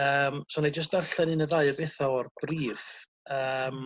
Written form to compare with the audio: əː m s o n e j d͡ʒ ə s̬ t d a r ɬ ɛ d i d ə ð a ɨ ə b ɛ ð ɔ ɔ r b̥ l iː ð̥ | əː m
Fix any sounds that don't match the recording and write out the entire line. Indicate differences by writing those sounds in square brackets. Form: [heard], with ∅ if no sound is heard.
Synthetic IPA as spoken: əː m s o n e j d͡ʒ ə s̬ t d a r ɬ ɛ [n] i [n] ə ð a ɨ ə b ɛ [θ] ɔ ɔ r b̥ [r] iː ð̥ | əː m